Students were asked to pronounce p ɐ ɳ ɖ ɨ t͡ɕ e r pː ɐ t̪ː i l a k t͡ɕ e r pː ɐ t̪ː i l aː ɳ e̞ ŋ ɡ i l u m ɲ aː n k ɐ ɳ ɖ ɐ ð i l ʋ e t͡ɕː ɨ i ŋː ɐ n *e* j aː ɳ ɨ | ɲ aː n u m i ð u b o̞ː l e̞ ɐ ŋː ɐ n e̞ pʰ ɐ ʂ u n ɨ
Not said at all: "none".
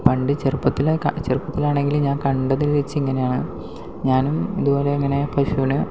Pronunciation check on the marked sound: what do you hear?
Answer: e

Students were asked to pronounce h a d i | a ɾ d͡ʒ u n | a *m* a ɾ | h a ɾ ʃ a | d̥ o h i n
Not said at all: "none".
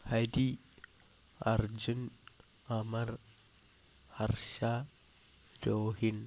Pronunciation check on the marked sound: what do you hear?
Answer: m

